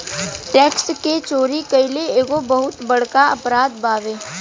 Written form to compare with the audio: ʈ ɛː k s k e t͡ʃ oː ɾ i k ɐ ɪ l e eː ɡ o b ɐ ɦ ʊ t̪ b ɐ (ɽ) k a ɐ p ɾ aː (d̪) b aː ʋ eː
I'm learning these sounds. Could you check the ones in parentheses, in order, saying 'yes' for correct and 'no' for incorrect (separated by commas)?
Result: yes, yes